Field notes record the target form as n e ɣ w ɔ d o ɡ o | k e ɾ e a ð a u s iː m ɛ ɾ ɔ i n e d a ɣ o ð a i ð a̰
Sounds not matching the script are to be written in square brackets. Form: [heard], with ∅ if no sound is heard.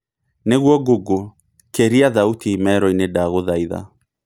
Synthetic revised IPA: n e ɣ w ɔ [ɡ] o ɡ o | k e ɾ [i] a ð a u [t] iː m ɛ ɾ ɔ i n e d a ɣ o ð a i ð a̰